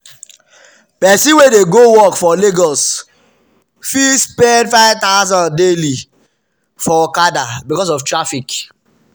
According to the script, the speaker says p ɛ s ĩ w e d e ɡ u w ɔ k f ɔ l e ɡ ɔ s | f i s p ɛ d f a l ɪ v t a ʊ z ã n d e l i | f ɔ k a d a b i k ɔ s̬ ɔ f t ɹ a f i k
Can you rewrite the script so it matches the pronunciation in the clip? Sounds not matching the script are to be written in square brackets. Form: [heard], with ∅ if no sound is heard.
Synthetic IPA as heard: p ɛ s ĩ w e d e ɡ [o] w ɔ k f ɔ l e ɡ ɔ s | f i s p ɛ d f a [∅] ɪ v t a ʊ z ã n d e l i | f ɔ k a d a b i k ɔ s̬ ɔ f t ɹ a f i k